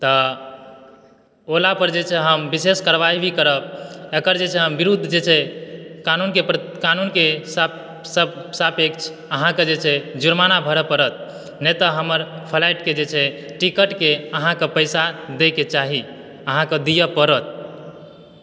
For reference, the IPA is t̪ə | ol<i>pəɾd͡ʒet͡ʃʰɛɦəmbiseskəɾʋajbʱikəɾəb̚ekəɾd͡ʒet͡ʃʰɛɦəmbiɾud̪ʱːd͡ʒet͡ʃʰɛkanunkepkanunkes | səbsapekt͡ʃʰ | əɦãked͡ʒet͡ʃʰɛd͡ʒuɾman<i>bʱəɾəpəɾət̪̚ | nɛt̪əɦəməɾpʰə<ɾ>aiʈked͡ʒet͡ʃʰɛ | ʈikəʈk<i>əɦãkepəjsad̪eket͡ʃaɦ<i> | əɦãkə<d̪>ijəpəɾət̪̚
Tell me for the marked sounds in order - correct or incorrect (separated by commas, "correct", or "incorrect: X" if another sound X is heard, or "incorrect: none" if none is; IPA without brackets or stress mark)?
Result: incorrect: a, incorrect: a, incorrect: l, incorrect: e, correct, correct